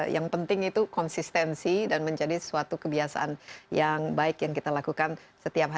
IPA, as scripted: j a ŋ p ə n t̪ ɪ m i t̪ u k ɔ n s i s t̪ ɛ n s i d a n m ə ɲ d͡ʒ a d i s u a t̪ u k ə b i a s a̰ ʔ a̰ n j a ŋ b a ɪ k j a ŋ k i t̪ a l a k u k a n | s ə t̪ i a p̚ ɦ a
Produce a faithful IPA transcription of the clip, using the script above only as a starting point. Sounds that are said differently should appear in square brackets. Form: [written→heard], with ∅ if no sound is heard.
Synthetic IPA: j a ŋ p ə n t̪ ɪ [m→ŋ] i t̪ u k ɔ n s i s t̪ ɛ n s i d a n m ə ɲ d͡ʒ a d i s u a t̪ u k ə b i a s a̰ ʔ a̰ n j a ŋ b a ɪ k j a ŋ k i t̪ a l a k u k a n | s ə t̪ i a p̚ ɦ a